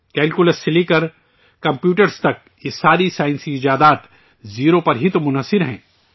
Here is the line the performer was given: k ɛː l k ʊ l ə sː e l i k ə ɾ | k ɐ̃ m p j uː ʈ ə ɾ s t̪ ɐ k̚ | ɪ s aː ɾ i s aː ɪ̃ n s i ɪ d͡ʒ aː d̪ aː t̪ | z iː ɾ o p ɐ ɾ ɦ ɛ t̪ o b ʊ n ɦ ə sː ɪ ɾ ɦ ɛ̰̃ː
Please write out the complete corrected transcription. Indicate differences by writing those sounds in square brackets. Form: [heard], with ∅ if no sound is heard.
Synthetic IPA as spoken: k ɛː l k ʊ l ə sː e l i k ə ɾ | k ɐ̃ m p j uː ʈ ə ɾ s t̪ ɐ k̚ | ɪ s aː ɾ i s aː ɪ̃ n s i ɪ d͡ʒ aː d̪ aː t̪ | z iː ɾ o p ɐ ɾ ɦ [i] t̪ o [m] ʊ n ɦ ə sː ɪ ɾ ɦ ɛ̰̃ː

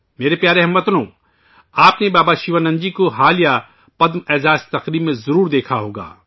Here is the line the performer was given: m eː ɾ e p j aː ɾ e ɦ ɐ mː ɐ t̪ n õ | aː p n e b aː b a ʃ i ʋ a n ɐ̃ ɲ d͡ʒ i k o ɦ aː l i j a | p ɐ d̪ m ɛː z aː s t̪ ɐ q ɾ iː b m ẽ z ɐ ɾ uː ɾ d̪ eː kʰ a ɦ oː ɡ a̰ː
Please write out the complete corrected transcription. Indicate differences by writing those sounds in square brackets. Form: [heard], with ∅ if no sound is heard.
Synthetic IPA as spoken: m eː ɾ e p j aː ɾ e ɦ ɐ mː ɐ t̪ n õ | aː p n e b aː b a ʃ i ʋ a n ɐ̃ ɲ d͡ʒ i k o ɦ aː l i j a | p ɐ d̪ m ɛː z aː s t̪ ɐ q ɾ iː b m ẽ z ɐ ɾ uː ɾ d̪ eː kʰ a ɦ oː ɡ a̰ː

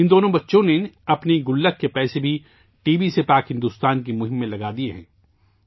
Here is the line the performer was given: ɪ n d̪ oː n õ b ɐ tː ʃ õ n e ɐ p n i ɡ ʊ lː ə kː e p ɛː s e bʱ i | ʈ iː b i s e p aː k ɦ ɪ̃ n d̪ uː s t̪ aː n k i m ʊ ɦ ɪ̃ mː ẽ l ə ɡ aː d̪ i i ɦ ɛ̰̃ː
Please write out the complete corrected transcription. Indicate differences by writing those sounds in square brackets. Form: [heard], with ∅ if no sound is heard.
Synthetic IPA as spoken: ɪ n d̪ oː n õ b ɐ tː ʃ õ n e ɐ p n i ɡ ʊ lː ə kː e p ɛː s e bʱ i | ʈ iː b i s e p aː k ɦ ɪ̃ n d̪ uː s t̪ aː n k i m ʊ ɦ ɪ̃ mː ẽ l [ɐ] ɡ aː d̪ i [e] ɦ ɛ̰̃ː

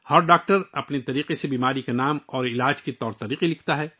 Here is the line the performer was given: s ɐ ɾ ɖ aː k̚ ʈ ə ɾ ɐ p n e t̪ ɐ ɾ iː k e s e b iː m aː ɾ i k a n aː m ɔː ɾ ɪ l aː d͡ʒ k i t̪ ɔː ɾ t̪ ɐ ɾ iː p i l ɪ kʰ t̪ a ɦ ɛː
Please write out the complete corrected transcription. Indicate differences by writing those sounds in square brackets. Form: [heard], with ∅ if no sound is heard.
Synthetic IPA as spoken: [h] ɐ ɾ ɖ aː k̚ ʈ ə ɾ ɐ p n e t̪ ɐ ɾ iː [q] e s e b iː m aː ɾ i k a n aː m ɔː ɾ ɪ l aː d͡ʒ k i t̪ ɔː ɾ t̪ ɐ ɾ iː [q] i l ɪ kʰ t̪ a ɦ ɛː

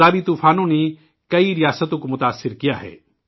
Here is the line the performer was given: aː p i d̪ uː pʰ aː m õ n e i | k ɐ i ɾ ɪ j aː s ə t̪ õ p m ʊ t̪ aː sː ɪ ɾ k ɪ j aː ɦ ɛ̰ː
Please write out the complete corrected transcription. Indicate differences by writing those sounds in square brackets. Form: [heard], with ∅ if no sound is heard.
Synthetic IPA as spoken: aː [b] i [t̪] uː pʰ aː [n] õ n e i | k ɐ i ɾ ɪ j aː s ə t̪ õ [k] m ʊ t̪ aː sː ɪ ɾ k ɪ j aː ɦ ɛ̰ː

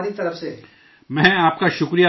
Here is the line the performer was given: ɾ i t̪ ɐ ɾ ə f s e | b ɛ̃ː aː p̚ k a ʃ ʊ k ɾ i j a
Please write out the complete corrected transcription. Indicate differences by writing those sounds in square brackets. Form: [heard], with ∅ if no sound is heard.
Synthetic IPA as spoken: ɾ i t̪ ɐ ɾ ə f s e | [m] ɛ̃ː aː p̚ k a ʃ ʊ k ɾ i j a

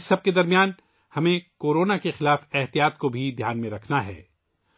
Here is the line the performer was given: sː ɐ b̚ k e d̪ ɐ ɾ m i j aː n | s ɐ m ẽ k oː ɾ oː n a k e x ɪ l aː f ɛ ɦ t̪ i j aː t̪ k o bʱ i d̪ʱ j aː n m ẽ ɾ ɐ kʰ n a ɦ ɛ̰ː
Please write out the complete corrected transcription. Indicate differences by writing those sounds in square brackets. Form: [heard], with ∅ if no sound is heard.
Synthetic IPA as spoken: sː ɐ b̚ k e d̪ ɐ ɾ m i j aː n | [h] ɐ m ẽ k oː ɾ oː n a k e x ɪ l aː f ɛ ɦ t̪ i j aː t̪ k o bʱ i d̪ʱ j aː n m ẽ ɾ ɐ kʰ n a ɦ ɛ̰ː

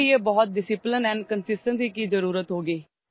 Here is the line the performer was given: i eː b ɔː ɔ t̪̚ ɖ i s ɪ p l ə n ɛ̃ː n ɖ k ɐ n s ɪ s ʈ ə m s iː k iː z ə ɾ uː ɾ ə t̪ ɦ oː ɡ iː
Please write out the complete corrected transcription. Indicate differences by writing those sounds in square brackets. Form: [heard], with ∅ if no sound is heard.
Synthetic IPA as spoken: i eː b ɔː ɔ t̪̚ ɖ [ɪ] s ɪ p l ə n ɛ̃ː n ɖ k [ə] n s ɪ s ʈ ə [n] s iː k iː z ə ɾ uː ɾ ə t̪ ɦ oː ɡ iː

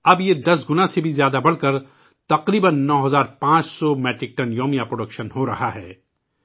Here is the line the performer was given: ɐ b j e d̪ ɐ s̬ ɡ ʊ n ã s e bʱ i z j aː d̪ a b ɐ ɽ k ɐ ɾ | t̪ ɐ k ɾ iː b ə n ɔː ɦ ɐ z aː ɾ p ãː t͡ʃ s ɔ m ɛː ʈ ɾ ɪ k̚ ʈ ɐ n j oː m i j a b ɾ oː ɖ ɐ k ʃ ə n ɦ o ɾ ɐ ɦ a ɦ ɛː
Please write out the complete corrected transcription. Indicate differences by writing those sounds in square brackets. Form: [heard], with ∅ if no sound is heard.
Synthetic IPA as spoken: ɐ b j e d̪ ɐ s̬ ɡ ʊ n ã s e bʱ i z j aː d̪ a b ɐ ɽ k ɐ ɾ | t̪ ɐ [q] ɾ iː b ə [nː] ɔː ɦ ɐ z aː ɾ p ãː t͡ʃ s ɔ m ɛː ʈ ɾ ɪ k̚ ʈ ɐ n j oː m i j a [p] ɾ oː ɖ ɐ k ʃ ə n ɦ o ɾ ɐ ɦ a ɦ ɛː

